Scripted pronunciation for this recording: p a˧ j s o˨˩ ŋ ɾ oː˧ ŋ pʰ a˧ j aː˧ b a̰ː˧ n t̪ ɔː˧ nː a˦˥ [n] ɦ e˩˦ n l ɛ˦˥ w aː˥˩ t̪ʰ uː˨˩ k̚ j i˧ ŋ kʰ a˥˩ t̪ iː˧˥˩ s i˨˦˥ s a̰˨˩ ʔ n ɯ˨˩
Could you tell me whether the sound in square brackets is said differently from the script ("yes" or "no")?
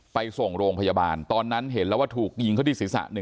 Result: no